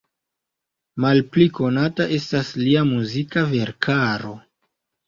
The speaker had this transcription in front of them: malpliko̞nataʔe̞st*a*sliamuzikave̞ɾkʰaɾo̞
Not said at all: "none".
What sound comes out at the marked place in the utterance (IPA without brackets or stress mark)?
a